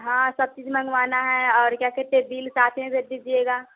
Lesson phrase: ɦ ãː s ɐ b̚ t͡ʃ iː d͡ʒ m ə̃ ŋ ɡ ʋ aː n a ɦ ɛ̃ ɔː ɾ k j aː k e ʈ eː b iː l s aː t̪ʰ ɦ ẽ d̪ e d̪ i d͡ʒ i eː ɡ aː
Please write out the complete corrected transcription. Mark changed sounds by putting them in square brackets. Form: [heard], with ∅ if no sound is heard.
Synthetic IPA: ɦ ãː s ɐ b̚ t͡ʃ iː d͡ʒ m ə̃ ŋ ɡ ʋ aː n a ɦ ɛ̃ ɔː ɾ k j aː k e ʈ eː b iː l s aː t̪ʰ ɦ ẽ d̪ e d̪ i d͡ʒ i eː ɡ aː